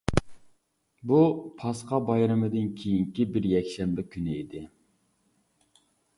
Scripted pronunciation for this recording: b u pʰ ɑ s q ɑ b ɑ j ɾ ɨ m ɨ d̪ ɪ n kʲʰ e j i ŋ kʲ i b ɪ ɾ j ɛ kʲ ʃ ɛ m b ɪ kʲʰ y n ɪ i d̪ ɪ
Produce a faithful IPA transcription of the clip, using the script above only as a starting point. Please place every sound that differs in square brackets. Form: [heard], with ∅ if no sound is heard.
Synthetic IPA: b u pʰ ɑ s q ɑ b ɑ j ɾ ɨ m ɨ d̪ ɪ n kʲʰ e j i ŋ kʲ i b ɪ ɾ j ɛ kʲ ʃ ɛ m b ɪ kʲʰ y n ɪ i d̪ ɪ